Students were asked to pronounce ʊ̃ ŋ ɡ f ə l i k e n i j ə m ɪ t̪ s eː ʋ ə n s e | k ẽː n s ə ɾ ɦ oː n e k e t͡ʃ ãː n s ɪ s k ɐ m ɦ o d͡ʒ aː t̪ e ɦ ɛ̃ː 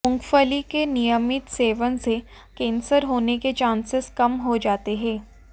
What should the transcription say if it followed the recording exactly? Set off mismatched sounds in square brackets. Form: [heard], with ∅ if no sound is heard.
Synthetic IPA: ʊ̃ ŋ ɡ f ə l i k e n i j ə m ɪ t̪ s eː ʋ ə n s e | k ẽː n s ə ɾ ɦ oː n e k e t͡ʃ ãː n s ɪ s k ɐ m ɦ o d͡ʒ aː t̪ e ɦ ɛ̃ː

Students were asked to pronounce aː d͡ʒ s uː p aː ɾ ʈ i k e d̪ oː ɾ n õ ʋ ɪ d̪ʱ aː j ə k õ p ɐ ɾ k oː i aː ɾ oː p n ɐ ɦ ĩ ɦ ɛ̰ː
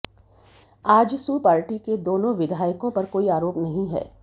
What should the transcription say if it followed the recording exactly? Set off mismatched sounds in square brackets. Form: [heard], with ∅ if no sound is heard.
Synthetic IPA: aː d͡ʒ s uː p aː ɾ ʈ i k e d̪ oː [∅] n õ ʋ ɪ d̪ʱ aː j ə k õ p ɐ ɾ k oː i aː ɾ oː p n ɐ ɦ ĩ ɦ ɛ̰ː

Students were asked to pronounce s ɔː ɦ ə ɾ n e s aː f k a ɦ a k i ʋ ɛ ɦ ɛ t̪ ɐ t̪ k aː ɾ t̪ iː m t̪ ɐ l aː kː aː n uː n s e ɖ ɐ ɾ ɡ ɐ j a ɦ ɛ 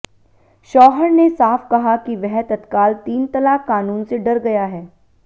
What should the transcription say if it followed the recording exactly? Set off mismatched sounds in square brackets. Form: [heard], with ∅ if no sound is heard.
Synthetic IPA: [ʃ] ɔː ɦ ə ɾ n e s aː f k [ɐ] ɦ a k i ʋ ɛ ɦ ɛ t̪ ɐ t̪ k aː [l] t̪ iː [n] t̪ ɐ l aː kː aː n uː n s e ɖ ɐ ɾ ɡ ɐ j a ɦ [ɛː]

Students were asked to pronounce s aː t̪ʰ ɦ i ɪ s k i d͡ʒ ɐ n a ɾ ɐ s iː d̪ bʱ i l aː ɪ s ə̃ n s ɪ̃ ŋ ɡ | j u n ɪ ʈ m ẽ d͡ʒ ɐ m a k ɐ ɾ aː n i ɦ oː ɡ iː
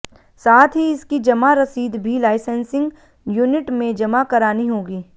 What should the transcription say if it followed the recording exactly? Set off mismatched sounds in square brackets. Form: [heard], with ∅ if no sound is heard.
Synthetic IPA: s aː t̪ʰ ɦ i ɪ s k i d͡ʒ ɐ [m] a ɾ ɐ s iː d̪ bʱ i l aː ɪ s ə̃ n s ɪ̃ ŋ ɡ | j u n ɪ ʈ m ẽ d͡ʒ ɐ m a k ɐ ɾ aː n i ɦ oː ɡ iː

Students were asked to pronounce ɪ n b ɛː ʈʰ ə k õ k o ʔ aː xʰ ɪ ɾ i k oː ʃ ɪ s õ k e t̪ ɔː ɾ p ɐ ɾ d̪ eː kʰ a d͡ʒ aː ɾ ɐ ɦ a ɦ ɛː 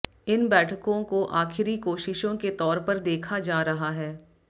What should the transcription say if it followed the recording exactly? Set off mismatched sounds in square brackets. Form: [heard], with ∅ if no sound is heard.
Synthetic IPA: ɪ n b ɛː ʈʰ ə k õ k o ʔ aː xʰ ɪ ɾ i k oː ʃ ɪ [ʃ] õ k e t̪ ɔː ɾ p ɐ ɾ d̪ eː kʰ a d͡ʒ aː ɾ ɐ ɦ a ɦ ɛː

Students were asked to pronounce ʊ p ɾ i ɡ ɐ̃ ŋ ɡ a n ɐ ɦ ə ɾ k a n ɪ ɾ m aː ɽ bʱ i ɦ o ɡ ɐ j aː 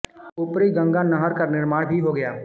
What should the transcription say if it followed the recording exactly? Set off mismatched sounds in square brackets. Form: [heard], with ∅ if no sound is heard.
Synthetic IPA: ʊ p ɾ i ɡ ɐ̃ ŋ ɡ a n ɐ ɦ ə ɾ k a n ɪ ɾ m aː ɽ bʱ i ɦ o ɡ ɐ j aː

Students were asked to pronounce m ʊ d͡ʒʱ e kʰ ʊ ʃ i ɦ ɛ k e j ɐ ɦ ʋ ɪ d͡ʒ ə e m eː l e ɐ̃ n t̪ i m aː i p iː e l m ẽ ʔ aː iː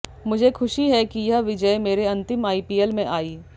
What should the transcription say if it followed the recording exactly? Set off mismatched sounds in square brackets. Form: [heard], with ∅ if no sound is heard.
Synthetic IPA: m ʊ d͡ʒʱ e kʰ ʊ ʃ i ɦ ɛ k [i] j ɐ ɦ ʋ ɪ d͡ʒ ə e m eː [ɾ] e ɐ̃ n t̪ [ɪ] m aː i p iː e l m ẽ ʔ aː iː

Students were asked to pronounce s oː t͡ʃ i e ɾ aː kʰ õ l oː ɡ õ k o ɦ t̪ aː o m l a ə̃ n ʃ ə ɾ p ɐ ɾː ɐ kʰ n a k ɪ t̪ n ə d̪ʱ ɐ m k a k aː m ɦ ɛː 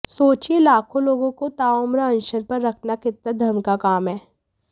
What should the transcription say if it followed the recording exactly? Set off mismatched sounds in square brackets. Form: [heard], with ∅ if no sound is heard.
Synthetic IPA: s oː t͡ʃ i e [l] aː kʰ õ l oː ɡ õ k o [∅] t̪ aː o m [ɾ] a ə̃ n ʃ ə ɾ p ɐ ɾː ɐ kʰ n a k ɪ t̪ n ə d̪ʱ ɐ m k a k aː m ɦ ɛː

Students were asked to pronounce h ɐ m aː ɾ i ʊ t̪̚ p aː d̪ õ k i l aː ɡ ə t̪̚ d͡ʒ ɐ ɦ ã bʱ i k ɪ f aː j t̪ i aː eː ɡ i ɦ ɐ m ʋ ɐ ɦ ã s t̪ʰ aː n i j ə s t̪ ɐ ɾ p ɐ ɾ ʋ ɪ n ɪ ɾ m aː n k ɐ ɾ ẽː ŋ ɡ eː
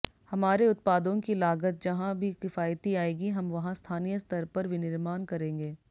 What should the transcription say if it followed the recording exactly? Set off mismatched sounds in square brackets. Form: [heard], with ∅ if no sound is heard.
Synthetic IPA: h ɐ m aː ɾ [e] ʊ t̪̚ p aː d̪ õ k i l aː ɡ ə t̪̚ d͡ʒ ɐ ɦ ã bʱ i k ɪ f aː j t̪ i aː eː ɡ i ɦ ɐ m ʋ ɐ ɦ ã s t̪ʰ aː n i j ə s t̪ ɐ ɾ p ɐ ɾ ʋ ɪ n ɪ ɾ m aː n k ɐ ɾ ẽː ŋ ɡ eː

